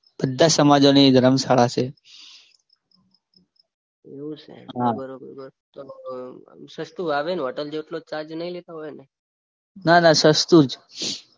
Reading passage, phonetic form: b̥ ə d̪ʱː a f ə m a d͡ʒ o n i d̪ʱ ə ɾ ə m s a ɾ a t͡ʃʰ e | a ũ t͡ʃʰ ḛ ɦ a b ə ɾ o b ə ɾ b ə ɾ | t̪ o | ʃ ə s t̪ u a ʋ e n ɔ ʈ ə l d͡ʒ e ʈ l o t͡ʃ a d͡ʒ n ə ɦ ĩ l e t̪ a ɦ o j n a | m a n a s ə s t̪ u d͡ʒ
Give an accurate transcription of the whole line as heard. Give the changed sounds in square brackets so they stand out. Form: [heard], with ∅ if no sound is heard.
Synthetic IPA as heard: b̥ ə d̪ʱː a [s] ə m a d͡ʒ o n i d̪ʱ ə ɾ ə m s a [ɭ] a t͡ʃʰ e | [e] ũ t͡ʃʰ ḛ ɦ a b ə ɾ o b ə ɾ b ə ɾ | t̪ o | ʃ ə s t̪ u a ʋ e n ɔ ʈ ə l d͡ʒ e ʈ l o t͡ʃ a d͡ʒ n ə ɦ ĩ l e t̪ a ɦ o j n [e] | [n] a n a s ə s t̪ u d͡ʒ